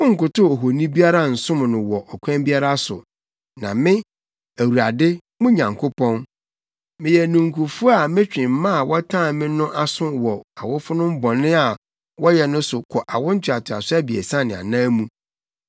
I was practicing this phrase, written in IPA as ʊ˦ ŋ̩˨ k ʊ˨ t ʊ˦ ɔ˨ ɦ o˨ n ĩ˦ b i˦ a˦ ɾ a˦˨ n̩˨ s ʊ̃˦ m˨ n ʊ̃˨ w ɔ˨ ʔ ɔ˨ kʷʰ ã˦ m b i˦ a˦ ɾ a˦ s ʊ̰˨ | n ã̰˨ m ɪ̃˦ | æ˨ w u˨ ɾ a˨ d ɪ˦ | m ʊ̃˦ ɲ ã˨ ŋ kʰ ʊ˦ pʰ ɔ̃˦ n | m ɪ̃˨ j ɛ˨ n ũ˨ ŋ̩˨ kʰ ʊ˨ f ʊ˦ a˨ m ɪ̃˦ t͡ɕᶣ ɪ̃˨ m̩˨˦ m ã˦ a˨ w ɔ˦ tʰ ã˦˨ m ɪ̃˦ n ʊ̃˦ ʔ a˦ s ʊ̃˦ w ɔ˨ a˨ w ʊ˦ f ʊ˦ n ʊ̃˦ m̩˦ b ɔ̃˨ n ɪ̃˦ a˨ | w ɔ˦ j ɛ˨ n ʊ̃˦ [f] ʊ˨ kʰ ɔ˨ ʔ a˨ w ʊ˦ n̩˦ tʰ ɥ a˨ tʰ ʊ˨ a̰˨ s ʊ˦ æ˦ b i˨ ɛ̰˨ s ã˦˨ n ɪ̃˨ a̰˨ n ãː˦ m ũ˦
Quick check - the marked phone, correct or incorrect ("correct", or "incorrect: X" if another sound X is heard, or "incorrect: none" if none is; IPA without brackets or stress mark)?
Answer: incorrect: s